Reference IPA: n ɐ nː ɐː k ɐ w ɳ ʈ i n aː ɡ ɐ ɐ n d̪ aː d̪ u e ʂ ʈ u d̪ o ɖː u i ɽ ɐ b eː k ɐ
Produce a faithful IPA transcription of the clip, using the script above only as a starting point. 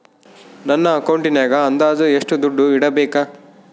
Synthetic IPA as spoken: n ɐ nː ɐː k ɐ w ɳ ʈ i n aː ɡ ɐ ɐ n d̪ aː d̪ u e ʂ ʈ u d̪ u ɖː u i ɽ ɐ b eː k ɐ

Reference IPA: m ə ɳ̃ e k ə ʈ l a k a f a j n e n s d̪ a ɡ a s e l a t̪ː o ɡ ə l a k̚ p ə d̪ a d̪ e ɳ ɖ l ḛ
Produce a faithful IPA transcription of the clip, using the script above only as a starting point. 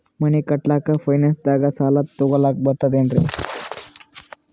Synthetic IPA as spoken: m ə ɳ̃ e k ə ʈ l a k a f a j n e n s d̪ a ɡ a s a l a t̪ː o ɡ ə l a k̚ b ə t̪ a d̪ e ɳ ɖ ɾ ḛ

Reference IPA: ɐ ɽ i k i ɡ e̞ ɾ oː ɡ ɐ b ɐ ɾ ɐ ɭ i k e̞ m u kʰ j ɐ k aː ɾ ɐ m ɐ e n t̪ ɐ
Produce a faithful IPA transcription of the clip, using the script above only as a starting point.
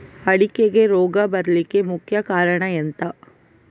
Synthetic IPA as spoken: ɐ ɽ i k e ɡ e̞ ɾ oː ɡ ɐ b ɐ ɾ ɐ l i k e̞ m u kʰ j ɐ k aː ɾ ɐ ɳ ɐ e n t̪ ɐ

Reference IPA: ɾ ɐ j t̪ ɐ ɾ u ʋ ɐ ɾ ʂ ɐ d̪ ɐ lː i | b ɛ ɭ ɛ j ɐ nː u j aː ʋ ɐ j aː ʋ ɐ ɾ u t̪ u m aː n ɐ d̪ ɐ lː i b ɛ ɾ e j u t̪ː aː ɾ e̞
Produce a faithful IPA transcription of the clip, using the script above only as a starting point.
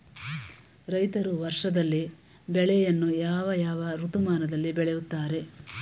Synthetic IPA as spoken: ɾ ɐ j t̪ ɐ ɾ u ʋ ɐ ɾ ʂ ɐ d̪ ɐ lː i | b ɛ ɭ ɛ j ɐ nː u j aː ʋ ɐ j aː ʋ ɐ ɾ u t̪ u m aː n ɐ d̪ ɐ lː i b ɛ ɭ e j u t̪ː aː ɾ e̞

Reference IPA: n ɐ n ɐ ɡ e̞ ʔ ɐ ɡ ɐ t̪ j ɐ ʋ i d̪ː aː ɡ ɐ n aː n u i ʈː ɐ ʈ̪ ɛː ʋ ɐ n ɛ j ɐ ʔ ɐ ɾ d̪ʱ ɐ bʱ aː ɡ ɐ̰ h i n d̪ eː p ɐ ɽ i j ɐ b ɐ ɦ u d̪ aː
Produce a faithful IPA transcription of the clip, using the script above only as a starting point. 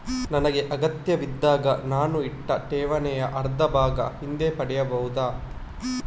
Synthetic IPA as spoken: n ɐ n ɐ ɡ e̞ ʔ ɐ ɡ ɐ t̪ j ɐ ʋ i d̪ː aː ɡ ɐ n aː n u i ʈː ɐ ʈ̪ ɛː ʋ ɐ n ɛ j ɐ ʔ ɐ ɾ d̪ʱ ɐ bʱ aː ɡ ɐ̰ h i n d̪ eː p ɐ ɽ ɛ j ɐ b ɐ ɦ u d̪ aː

